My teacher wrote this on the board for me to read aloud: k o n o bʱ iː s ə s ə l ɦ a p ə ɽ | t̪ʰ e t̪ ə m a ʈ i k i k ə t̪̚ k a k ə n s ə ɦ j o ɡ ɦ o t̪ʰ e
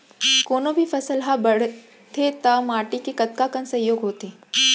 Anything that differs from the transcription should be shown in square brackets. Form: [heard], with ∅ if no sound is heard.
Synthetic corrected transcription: k o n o bʱ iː [f] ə s ə l ɦ a [b] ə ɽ | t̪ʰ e t̪ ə m a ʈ i k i k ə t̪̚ k a k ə n s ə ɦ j o ɡ ɦ o [t̪] e